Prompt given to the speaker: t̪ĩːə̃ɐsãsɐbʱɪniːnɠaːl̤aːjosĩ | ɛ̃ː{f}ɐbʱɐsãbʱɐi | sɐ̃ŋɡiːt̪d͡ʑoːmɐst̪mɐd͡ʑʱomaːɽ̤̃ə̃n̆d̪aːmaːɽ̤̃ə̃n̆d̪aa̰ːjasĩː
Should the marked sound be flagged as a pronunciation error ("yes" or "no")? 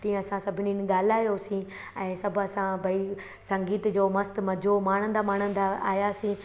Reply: yes